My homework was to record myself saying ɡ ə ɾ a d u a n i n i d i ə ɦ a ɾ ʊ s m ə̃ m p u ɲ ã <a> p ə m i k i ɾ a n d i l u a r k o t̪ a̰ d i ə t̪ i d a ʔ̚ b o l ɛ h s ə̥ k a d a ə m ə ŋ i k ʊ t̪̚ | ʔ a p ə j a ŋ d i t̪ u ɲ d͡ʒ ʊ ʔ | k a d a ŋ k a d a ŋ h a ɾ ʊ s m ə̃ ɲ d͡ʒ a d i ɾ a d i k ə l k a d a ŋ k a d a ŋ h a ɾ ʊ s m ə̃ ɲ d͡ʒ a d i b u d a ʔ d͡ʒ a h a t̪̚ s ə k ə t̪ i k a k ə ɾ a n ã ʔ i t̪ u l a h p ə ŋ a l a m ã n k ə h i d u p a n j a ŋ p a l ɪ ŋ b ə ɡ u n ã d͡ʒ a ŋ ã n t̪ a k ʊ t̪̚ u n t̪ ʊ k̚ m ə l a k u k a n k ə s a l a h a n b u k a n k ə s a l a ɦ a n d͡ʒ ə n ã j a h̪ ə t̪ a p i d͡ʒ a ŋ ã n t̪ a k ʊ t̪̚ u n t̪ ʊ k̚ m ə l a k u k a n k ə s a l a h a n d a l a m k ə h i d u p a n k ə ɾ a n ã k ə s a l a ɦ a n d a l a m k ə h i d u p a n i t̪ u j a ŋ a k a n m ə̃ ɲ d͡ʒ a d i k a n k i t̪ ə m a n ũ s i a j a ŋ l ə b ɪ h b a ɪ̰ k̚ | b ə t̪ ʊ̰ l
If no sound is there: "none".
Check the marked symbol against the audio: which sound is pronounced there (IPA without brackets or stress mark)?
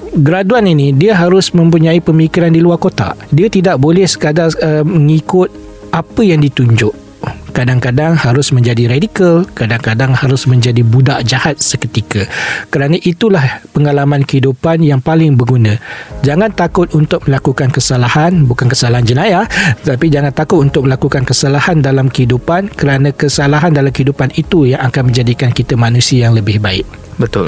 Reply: i